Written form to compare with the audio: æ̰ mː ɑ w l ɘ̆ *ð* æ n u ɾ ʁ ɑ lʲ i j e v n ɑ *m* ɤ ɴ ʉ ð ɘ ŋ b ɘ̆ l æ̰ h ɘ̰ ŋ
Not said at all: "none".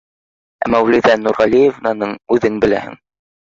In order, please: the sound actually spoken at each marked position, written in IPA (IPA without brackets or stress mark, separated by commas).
ð, n